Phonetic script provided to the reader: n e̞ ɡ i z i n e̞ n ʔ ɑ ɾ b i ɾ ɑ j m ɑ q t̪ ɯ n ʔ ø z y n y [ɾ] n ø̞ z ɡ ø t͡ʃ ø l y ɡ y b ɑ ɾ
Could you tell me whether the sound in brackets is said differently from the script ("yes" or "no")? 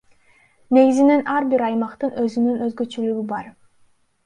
yes